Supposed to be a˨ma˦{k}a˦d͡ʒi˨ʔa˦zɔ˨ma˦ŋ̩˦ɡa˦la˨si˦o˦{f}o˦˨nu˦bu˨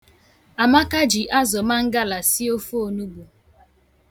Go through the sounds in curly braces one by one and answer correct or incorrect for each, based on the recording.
correct, correct

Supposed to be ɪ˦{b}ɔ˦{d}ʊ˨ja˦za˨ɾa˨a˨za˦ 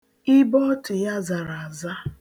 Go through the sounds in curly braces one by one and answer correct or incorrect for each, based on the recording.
correct, incorrect: t

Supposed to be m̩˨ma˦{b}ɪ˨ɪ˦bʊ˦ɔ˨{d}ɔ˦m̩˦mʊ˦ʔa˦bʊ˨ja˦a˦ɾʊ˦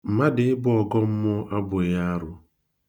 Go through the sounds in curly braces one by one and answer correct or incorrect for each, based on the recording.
incorrect: d, incorrect: ɡ

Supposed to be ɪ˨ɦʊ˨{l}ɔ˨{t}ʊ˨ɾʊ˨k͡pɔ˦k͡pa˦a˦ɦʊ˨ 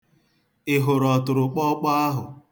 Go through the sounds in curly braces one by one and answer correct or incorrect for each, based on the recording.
incorrect: ɾ, correct

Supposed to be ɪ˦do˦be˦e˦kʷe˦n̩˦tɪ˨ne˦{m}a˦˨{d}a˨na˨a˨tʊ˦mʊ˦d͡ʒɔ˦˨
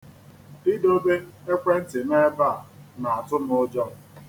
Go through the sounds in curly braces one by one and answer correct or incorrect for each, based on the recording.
incorrect: b, incorrect: none

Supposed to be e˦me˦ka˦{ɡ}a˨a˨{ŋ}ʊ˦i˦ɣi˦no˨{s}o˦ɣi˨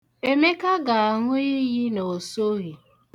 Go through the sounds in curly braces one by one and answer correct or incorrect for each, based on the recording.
correct, correct, correct

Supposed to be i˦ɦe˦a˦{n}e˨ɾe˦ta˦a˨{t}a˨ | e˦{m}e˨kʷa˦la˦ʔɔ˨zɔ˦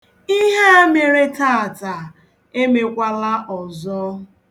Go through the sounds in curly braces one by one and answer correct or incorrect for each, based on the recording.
incorrect: m, correct, correct

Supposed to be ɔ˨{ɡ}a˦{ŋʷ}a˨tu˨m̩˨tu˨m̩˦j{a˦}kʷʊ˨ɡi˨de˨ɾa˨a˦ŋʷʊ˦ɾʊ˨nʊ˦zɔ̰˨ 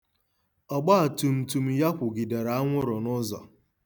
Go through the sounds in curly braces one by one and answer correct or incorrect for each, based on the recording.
incorrect: ɡ͡b, incorrect: none, correct

